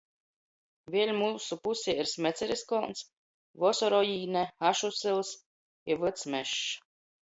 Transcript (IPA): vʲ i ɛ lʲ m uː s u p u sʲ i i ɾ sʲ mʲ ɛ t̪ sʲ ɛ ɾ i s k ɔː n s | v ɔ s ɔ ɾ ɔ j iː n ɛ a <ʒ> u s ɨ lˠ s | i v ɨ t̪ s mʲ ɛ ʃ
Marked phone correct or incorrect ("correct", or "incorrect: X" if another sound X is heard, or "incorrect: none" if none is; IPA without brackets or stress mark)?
incorrect: ʃ